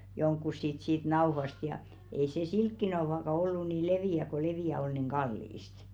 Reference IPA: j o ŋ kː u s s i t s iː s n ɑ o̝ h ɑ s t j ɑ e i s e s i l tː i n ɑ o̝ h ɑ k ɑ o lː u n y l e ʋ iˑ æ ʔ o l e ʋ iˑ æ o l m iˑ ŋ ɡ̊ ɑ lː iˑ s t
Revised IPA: j o ŋ kː u s s i t s iː t n ɑ o̝ h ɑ s t j ɑ e i s e s i l kː i n ɑ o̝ h ɑ k ɑ o lː u n i l e ʋ iˑ æ k o l e ʋ iˑ æ o l n iˑ ŋ ɡ̊ ɑ lː iˑ s t